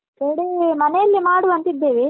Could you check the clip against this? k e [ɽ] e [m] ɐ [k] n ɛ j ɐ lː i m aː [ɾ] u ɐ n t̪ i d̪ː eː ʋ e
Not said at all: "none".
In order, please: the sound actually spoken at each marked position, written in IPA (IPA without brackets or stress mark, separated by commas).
ɽ, m, none, ɽ